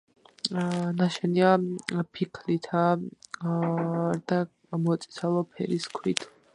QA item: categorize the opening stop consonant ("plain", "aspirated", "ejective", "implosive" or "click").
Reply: aspirated